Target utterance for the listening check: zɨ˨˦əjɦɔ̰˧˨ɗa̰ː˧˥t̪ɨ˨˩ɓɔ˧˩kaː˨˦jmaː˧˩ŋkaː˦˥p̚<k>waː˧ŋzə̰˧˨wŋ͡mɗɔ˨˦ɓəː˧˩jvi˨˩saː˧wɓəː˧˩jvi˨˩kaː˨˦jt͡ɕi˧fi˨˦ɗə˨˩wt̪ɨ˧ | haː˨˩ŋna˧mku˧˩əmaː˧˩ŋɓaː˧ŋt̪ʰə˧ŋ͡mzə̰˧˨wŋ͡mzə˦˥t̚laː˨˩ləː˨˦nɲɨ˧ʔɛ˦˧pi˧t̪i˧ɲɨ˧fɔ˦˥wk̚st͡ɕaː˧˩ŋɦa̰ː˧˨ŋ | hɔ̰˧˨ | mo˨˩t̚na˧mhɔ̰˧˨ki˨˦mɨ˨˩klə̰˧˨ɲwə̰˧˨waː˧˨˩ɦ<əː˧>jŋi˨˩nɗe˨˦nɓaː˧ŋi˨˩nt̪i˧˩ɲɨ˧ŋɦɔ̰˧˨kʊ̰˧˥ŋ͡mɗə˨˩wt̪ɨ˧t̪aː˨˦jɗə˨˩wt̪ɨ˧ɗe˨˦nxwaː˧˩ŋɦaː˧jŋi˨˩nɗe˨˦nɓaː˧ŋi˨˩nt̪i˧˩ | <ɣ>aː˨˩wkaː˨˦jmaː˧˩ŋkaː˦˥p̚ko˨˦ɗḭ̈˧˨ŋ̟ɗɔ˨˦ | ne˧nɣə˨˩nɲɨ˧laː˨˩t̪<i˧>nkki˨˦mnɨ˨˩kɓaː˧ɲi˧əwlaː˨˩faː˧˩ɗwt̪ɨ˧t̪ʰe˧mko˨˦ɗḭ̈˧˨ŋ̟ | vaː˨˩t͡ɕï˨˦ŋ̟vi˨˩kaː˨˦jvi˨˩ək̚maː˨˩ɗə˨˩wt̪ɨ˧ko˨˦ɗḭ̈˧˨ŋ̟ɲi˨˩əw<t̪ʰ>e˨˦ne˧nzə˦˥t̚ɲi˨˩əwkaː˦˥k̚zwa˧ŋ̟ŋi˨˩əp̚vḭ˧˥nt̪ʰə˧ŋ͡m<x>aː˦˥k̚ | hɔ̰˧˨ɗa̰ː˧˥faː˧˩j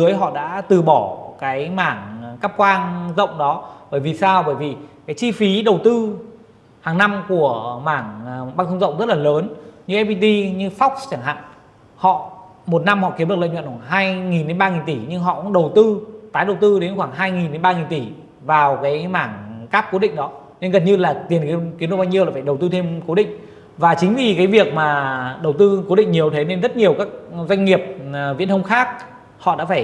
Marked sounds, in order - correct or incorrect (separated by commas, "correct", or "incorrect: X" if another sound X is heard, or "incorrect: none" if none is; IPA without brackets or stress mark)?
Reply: correct, incorrect: aː˧, incorrect: v, incorrect: i˨˩, correct, correct